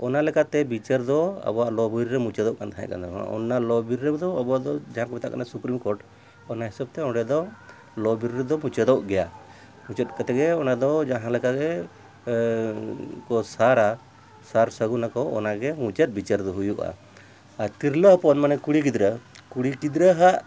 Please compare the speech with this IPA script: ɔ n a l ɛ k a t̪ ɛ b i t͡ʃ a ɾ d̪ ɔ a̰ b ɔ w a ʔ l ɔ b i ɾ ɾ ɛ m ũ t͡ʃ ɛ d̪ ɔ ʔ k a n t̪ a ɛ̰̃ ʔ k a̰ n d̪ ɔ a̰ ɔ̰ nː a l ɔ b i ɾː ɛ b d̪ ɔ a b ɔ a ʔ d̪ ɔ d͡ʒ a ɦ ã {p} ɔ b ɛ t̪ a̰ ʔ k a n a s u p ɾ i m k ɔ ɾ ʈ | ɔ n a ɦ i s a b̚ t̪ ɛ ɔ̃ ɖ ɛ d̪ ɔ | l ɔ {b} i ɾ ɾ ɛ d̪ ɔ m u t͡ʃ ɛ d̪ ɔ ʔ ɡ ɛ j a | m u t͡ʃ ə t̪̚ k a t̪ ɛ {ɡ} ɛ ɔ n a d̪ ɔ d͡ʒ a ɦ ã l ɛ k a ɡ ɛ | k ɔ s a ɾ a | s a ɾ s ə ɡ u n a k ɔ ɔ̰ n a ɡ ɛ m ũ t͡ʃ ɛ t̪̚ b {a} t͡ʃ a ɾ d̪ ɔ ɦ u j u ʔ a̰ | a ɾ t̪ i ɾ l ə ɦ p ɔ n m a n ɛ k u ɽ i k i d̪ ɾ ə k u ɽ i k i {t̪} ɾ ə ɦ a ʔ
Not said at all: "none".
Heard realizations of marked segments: k, b, ɡ, i, d̪

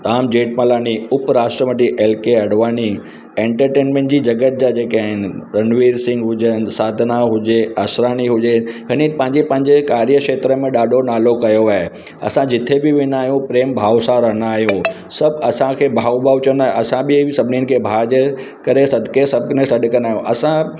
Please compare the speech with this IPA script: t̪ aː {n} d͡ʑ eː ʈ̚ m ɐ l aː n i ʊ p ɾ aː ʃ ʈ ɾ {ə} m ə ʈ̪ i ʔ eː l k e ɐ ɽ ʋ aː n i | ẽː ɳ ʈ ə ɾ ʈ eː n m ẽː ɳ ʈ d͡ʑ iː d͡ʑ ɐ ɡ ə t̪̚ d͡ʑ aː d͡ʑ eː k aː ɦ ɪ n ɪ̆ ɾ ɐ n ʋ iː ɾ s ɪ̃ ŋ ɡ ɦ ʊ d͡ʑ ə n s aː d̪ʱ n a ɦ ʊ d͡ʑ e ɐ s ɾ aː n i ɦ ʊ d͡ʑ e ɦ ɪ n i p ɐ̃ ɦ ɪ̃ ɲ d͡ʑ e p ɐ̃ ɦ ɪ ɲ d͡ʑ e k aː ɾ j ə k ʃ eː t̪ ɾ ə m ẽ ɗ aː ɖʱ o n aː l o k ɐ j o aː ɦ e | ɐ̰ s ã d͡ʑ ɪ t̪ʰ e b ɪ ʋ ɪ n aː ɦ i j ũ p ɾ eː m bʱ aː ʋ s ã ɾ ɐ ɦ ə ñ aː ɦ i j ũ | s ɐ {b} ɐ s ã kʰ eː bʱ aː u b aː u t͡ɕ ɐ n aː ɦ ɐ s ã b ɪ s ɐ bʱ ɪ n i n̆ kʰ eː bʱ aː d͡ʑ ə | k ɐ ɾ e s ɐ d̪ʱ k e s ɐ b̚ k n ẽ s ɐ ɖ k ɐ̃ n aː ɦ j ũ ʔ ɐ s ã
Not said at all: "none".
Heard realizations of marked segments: m, ə, b

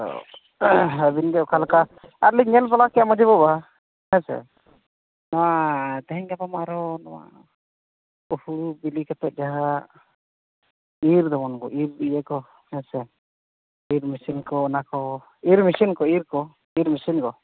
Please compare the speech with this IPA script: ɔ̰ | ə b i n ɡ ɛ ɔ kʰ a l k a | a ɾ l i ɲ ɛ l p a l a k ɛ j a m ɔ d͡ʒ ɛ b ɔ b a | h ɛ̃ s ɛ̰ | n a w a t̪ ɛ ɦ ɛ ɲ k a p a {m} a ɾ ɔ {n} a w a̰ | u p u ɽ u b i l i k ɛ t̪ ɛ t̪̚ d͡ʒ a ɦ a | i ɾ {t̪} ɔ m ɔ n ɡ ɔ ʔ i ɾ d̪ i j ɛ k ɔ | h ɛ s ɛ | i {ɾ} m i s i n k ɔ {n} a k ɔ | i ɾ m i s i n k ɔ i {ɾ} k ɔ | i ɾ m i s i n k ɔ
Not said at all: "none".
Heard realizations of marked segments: m, n, d̪, ɾ, n, ɾ

